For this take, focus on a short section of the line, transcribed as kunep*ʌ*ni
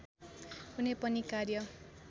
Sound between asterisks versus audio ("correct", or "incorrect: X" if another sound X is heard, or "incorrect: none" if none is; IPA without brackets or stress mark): correct